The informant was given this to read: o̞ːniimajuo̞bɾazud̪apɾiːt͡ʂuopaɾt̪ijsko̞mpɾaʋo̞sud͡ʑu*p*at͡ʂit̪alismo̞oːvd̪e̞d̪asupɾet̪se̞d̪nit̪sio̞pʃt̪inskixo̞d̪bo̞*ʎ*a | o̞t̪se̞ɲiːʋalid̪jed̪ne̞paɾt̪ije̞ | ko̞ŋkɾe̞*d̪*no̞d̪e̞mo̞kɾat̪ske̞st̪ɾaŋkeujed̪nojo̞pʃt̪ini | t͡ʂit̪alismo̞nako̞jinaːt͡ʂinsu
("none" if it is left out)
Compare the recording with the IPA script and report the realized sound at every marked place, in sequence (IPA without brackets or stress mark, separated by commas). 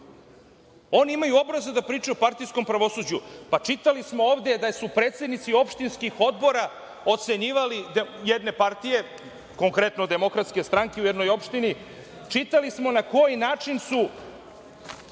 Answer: p, ɾ, t̪